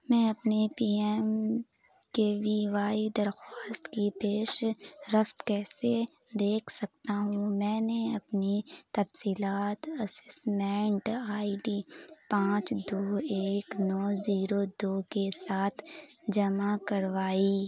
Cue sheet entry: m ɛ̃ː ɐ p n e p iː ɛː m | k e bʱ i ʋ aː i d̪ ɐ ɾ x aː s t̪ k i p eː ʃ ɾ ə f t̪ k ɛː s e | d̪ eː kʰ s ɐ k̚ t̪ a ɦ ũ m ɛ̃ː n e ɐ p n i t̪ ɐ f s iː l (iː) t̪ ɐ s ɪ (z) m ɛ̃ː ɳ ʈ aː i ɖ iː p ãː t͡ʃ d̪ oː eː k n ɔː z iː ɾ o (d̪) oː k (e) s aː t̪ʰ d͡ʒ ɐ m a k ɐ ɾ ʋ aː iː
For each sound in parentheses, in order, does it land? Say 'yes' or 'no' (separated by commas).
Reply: no, no, yes, yes